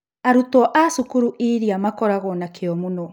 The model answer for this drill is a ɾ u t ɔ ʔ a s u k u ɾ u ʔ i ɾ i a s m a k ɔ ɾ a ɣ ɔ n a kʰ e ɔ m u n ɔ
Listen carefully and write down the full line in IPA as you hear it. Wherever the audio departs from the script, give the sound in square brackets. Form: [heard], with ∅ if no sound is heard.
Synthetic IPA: a ɾ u t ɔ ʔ a s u k u ɾ u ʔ i ɾ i a [∅] m a k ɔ ɾ a ɣ ɔ n a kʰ e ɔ m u n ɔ